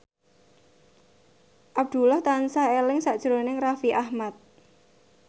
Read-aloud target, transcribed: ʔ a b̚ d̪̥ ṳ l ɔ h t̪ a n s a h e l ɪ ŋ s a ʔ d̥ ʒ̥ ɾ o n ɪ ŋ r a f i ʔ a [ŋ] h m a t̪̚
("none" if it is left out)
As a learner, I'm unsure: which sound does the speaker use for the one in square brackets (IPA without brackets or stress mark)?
none